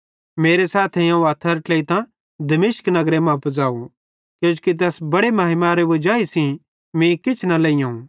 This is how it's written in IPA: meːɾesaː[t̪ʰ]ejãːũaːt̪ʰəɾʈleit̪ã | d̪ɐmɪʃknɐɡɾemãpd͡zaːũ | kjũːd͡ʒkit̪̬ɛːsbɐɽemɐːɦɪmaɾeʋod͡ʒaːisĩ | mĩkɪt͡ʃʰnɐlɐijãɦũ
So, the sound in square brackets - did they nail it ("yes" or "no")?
yes